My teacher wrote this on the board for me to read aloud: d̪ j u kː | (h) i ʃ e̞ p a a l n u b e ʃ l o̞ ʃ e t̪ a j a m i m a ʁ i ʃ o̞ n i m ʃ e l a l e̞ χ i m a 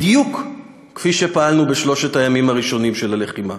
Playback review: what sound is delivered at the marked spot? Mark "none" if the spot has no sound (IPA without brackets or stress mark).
f